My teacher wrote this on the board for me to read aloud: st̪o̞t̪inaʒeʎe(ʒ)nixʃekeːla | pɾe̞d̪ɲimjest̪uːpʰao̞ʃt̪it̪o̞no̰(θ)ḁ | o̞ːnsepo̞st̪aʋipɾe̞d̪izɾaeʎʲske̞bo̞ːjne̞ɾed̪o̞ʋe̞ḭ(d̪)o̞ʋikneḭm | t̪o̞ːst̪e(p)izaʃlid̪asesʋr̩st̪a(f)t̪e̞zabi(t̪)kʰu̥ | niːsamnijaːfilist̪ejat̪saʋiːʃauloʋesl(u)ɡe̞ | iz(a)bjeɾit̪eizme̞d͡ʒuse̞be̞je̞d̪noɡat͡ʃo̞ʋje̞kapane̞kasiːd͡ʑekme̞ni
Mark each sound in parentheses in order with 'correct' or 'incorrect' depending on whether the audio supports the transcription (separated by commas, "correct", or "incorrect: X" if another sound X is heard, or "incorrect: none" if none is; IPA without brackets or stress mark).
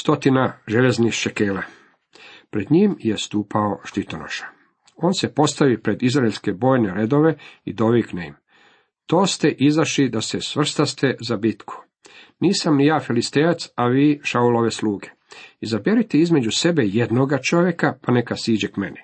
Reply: incorrect: z, incorrect: ʃ, correct, incorrect: ʔ, incorrect: s, correct, incorrect: uː, correct